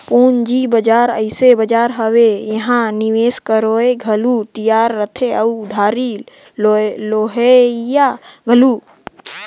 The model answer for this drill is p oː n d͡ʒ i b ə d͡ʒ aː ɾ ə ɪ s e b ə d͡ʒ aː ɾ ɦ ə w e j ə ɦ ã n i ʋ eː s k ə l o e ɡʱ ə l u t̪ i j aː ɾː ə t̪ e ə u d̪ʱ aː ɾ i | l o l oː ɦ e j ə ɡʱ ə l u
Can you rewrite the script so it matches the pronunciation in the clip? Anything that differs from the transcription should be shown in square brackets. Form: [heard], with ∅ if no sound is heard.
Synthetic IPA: p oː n d͡ʒ i b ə d͡ʒ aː ɾ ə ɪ s e b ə d͡ʒ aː ɾ ɦ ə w e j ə ɦ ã n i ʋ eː s k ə [ɾ] o e ɡʱ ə l u t̪ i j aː ɾː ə [t̪ʰ] e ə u d̪ʱ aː ɾ i | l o l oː ɦ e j [a] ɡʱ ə l u

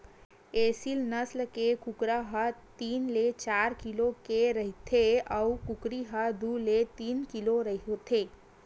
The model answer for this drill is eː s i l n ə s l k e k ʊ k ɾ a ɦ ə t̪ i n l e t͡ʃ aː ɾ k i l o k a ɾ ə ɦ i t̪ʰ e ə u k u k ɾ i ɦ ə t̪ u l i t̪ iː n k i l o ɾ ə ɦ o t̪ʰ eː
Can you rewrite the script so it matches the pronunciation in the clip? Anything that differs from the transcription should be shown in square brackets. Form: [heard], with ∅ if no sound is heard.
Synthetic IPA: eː s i l n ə s l k e k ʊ k ɾ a ɦ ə t̪ [iː] n l e t͡ʃ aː ɾ k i l o k [e] ɾ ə ɦ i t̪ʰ e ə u k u k ɾ i ɦ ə [d̪] u l [e] t̪ iː n k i l o ɾ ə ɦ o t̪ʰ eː

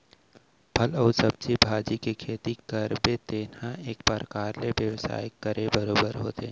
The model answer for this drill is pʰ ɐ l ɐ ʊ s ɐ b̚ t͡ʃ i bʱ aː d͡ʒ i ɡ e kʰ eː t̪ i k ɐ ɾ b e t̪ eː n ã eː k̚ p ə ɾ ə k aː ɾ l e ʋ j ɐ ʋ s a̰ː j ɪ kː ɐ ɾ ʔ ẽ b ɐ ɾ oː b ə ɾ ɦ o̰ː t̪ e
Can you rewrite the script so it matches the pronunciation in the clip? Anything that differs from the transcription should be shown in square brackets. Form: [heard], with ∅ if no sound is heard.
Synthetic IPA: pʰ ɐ l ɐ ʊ s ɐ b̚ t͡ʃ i bʱ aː d͡ʒ i [k] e kʰ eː t̪ i k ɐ ɾ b e t̪ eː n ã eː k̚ p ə ɾ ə k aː ɾ l e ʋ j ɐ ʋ s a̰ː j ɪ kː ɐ ɾ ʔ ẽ b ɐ ɾ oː b ə ɾ ɦ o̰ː t̪ e

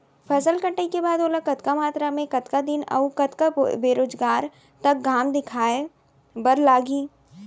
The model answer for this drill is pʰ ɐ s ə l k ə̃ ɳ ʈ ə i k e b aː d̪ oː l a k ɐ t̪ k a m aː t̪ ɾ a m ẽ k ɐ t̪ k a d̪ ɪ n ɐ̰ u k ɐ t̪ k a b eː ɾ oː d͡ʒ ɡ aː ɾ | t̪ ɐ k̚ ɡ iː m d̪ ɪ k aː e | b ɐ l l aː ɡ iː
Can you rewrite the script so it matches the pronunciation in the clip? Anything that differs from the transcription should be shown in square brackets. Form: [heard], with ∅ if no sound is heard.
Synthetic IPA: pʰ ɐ s ə l k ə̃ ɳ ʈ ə i k e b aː d̪ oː l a k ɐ t̪ k a m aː t̪ ɾ a m ẽ k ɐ t̪ k a d̪ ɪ n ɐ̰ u k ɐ t̪ k a b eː ɾ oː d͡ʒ ɡ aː ɾ | t̪ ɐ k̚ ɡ [aː] m d̪ ɪ [kʰ] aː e | b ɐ [ɾ] l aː ɡ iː

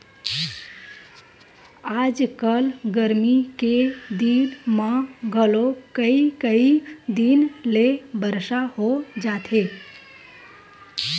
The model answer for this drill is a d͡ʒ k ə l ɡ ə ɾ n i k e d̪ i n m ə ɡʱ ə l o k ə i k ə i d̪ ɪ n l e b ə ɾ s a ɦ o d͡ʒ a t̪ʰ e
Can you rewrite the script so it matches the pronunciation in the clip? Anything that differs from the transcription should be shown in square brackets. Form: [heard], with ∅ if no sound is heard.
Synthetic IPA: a d͡ʒ k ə l ɡ ə ɾ [m] i k e d̪ i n m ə ɡʱ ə l o k ə i k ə i d̪ [i] n l e b ə ɾ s a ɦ o d͡ʒ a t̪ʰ e

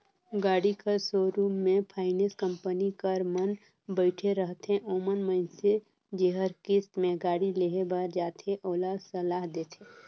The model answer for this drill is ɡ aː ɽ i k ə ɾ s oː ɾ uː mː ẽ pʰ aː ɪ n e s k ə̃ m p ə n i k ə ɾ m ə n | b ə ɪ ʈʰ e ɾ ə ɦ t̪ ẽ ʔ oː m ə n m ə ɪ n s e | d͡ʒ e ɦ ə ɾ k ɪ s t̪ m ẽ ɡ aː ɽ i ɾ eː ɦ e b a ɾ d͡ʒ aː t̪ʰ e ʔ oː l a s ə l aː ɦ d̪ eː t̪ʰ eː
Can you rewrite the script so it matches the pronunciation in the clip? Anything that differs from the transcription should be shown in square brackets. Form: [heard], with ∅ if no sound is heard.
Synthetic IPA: ɡ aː ɽ i k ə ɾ s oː ɾ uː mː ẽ pʰ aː ɪ n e s k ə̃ m p ə n i k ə ɾ m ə n | b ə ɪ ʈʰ e ɾ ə ɦ t̪ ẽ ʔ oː m ə n m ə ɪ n s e | d͡ʒ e ɦ ə ɾ k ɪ s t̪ m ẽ ɡ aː ɽ i [l] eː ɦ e b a ɾ d͡ʒ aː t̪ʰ e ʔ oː l a s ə l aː ɦ d̪ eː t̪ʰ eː

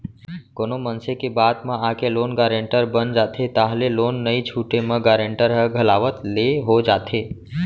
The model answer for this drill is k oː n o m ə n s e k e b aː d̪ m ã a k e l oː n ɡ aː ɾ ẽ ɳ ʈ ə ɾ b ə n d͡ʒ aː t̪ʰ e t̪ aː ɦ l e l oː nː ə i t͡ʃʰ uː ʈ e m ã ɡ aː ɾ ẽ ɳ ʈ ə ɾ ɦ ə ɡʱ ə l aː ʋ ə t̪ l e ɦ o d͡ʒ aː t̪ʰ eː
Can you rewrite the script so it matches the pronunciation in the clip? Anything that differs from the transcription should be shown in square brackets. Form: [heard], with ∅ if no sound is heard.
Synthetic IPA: k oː n o m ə n s e k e b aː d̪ m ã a k e l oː n ɡ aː ɾ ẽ ɳ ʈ ə ɾ b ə n d͡ʒ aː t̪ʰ e t̪ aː ɦ l e l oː nː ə i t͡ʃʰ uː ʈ e m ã ɡ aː ɾ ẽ ɳ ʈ ə ɾ ɦ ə ɡʱ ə l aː ʋ ə t̪ l e ɦ o d͡ʒ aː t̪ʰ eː

